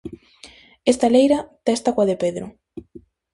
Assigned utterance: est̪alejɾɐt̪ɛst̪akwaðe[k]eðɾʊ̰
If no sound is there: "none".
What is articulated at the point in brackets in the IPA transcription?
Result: p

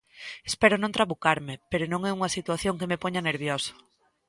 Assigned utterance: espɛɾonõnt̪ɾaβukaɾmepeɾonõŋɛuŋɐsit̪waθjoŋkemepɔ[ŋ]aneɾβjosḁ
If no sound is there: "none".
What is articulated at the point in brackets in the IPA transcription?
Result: ɲ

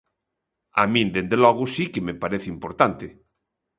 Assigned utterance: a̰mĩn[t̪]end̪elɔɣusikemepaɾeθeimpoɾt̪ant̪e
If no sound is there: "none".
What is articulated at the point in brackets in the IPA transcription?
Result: d̪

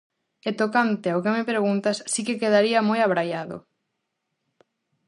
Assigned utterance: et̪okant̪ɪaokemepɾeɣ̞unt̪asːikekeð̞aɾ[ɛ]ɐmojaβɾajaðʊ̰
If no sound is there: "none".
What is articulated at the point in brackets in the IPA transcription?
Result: i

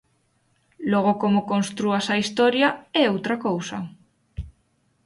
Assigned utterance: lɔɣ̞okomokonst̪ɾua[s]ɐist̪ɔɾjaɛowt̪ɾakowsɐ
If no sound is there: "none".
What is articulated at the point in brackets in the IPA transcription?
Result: s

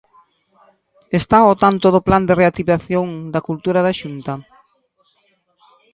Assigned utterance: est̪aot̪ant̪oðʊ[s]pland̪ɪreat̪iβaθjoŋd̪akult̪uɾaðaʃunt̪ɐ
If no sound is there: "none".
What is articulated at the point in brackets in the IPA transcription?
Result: none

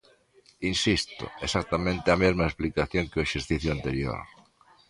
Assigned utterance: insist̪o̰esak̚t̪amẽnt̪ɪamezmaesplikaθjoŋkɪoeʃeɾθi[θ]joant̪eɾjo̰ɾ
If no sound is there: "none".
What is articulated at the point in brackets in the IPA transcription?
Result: θ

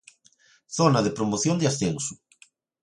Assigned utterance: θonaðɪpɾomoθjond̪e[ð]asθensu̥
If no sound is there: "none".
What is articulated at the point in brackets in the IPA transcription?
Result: none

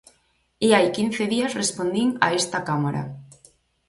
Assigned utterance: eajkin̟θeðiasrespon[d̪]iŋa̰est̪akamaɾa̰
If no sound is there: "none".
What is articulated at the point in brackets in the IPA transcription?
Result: d̪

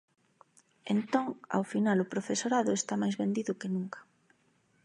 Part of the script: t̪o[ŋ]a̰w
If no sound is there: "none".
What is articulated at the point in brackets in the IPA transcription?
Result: ŋ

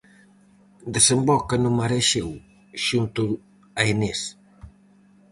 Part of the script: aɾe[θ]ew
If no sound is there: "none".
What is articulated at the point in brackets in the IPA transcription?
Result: ʃ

